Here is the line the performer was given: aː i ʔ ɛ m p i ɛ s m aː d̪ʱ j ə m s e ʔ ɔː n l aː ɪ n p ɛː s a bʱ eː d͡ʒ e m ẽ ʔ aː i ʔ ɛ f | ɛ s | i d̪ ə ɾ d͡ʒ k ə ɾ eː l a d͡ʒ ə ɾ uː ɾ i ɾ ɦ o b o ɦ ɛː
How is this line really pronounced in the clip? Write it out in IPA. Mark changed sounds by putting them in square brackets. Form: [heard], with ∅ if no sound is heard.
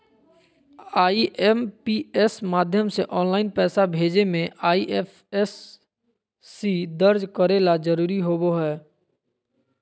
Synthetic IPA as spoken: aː i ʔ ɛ m p i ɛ s m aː d̪ʱ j ə m s e ʔ ɔː n l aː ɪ n p ɛː s a bʱ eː d͡ʒ e m ẽ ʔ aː i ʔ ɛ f | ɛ s | i d̪ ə ɾ d͡ʒ k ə ɾ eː l a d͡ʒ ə ɾ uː ɾ i [∅] ɦ o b o ɦ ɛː